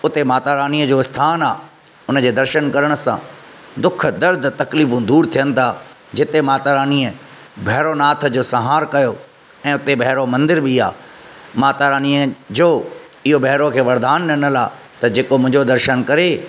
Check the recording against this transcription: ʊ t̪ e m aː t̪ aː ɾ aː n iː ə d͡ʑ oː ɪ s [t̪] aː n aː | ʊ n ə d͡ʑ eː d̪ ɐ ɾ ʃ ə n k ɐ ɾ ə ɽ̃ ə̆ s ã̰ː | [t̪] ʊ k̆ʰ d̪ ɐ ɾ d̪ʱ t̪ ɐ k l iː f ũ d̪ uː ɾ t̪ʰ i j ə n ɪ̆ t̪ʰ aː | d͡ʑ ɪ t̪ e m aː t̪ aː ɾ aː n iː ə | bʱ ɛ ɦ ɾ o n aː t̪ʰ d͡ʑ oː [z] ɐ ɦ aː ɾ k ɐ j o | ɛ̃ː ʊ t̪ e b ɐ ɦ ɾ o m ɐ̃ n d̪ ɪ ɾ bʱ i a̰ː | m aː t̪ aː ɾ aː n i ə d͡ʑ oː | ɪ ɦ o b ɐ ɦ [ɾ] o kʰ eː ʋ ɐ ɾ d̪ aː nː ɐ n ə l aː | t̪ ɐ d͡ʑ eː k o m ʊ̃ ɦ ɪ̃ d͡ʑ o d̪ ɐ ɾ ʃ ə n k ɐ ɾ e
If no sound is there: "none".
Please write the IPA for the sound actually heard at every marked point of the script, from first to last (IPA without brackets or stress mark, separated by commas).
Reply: t̪ʰ, d̪, s, ɾ